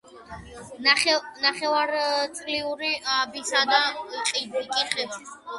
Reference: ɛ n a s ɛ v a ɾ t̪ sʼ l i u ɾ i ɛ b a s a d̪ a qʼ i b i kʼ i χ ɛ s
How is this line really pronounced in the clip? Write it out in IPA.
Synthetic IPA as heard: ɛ n a χ ɛ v a ɾ t̪ sʼ l i u ɾ i a b i s a d̪ a qʼ i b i kʼ i χ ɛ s